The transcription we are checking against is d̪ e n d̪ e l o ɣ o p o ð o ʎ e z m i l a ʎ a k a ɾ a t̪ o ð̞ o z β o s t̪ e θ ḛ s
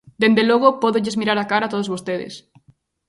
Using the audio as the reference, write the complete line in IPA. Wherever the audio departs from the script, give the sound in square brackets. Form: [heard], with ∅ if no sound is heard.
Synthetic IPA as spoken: d̪ e n d̪ e l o ɣ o p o ð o ʎ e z m i [ɾ] a [ɾ] a k a ɾ a t̪ o ð̞ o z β o s t̪ e [ð] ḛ s